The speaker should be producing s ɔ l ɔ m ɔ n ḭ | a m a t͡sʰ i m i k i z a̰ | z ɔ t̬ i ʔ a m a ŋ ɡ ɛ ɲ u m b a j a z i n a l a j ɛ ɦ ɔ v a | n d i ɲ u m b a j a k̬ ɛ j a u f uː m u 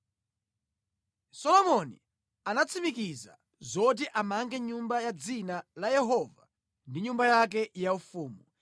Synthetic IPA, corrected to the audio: s ɔ l ɔ m ɔ n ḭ | a n a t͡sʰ i m i k i z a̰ | z ɔ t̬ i ʔ a m a ŋ ɡ ɛ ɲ u m b a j a d͡z i n a l a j ɛ ɦ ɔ v a | n d i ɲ u m b a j a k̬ ɛ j a u f uː m u